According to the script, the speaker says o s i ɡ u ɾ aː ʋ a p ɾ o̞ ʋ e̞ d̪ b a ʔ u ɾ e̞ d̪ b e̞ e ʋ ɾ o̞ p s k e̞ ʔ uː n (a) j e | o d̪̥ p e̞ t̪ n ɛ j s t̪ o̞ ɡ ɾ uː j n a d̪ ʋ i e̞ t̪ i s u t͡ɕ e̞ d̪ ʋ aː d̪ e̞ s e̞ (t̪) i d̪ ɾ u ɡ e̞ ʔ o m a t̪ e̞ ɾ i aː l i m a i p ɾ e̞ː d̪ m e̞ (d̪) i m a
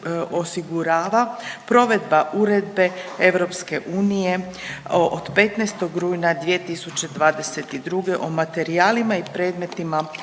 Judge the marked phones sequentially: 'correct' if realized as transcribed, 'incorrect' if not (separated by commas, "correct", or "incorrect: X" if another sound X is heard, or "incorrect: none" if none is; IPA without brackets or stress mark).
incorrect: i, correct, incorrect: t̪